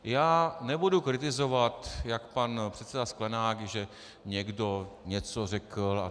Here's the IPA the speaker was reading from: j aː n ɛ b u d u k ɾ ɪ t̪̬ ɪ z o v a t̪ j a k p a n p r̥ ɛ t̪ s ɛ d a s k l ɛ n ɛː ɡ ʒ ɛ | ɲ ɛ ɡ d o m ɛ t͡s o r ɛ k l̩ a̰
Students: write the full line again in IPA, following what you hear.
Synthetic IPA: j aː n ɛ b u d u k ɾ ɪ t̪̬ ɪ z o v a t̪ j a k p a n p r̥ ɛ t̪ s ɛ d a s k l ɛ n aː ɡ ʒ ɛ | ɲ ɛ ɡ d o ɲ ɛ t͡s o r ɛ k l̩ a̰